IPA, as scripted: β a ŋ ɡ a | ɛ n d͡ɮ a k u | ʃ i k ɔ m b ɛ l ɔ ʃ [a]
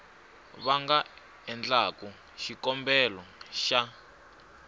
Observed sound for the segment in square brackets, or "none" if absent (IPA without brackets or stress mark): a